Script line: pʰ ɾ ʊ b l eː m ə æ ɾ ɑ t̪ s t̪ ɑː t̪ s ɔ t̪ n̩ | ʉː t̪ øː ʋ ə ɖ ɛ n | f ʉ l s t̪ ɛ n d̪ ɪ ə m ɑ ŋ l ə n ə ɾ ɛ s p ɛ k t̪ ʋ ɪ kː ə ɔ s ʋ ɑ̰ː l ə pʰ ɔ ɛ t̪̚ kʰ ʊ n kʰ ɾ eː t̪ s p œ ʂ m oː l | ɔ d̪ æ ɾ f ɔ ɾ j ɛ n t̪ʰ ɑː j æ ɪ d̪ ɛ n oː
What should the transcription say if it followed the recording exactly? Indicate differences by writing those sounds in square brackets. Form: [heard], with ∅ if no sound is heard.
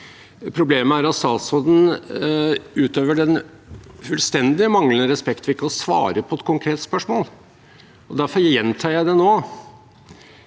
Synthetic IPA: pʰ ɾ ʊ b l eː m ə æ ɾ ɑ t̪ s t̪ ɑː t̪ s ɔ [d̪] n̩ | ʉː t̪ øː ʋ ə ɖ ɛ n | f ʉ l s t̪ ɛ n d̪ ɪ ə m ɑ ŋ l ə n ə ɾ ɛ s p ɛ k t̪ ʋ ɪ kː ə ɔ s ʋ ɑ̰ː [ɾ] ə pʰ ɔ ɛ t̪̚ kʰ ʊ [ŋ] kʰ ɾ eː t̪ s p œ ʂ m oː l | ɔ d̪ æ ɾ f ɔ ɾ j ɛ n t̪ʰ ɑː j æ ɪ d̪ ɛ n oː